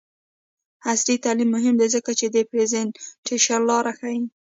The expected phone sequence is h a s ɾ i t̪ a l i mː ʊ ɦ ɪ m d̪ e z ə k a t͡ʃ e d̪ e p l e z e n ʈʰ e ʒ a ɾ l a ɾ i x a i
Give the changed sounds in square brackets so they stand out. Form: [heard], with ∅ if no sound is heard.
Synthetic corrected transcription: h a s ɾ i t̪ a l i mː ʊ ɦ ɪ m d̪ e z ə k a t͡ʃ e d̪ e p [ɾ] e z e n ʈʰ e [ʃ] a ɾ l [ɑ] ɾ [a] x a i